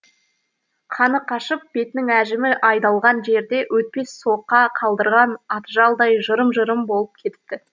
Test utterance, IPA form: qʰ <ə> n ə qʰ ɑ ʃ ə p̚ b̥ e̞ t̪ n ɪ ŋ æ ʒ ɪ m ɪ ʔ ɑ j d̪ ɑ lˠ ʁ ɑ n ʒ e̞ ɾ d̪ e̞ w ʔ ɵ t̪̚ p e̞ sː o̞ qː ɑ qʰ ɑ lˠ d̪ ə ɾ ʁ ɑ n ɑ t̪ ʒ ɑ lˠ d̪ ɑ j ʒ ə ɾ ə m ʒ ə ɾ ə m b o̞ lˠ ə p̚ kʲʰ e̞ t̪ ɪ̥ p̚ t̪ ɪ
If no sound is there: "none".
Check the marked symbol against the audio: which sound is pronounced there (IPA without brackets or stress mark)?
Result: ɑ